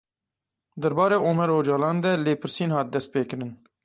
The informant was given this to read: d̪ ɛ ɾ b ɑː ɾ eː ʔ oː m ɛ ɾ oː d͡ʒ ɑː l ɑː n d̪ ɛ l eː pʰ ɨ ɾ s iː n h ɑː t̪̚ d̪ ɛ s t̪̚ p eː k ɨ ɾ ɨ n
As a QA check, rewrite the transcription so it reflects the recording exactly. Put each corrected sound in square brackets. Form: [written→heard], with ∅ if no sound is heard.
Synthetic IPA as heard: d̪ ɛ ɾ b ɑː ɾ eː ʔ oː m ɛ ɾ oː d͡ʒ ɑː l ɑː n d̪ ɛ l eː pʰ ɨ ɾ s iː n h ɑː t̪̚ d̪ ɛ s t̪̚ p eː k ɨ ɾ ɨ n